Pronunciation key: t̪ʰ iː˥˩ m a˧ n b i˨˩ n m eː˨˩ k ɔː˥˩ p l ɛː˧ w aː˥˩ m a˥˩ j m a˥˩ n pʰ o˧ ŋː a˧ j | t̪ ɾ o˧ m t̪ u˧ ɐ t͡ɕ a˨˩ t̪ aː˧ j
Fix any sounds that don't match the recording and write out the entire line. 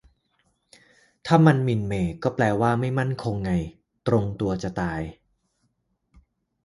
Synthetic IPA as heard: t̪ʰ aː˥˩ m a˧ n m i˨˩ n m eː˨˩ k ɔː˥˩ p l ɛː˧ w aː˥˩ m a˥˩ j m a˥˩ n kʰ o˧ ŋː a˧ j | t̪ ɾ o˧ ŋ t̪ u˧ ɐ t͡ɕ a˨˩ t̪ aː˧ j